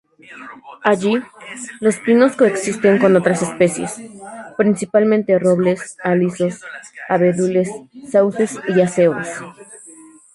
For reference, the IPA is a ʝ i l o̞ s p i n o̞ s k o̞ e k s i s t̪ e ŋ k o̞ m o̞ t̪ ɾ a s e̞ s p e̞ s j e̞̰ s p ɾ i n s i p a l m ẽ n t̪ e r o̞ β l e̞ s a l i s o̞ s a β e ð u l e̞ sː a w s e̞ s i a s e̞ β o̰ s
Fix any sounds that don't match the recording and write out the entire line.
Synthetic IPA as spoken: a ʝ i l o̞ s p i n o̞ s k o̞ e k s i s t̪ e ŋ k o̞ n o̞ t̪ ɾ a s e̞ s p e̞ s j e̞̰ s p ɾ i n s i p a l m ẽ n t̪ e r o̞ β l e̞ s a l i s o̞ s a β e ð u l e̞ sː a w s e̞ s i a s e̞ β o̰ s